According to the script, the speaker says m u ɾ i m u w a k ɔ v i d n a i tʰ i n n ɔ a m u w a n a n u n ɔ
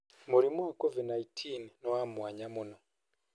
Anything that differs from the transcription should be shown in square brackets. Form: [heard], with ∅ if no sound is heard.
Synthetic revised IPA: m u ɾ i m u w a k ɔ v i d n a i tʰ i n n ɔ a m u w a [ɲ] a [m] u n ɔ